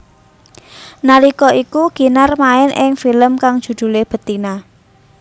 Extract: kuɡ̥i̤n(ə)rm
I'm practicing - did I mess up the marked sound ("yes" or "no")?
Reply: yes